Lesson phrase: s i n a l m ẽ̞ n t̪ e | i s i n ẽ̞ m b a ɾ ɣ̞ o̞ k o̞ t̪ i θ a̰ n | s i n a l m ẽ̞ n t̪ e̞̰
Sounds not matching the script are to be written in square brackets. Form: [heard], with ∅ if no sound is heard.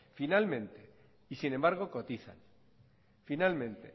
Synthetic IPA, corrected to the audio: [f] i n a l m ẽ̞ n t̪ e | i s i n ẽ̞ m b a ɾ ɣ̞ o̞ k o̞ t̪ i θ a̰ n | [f] i n a l m ẽ̞ n t̪ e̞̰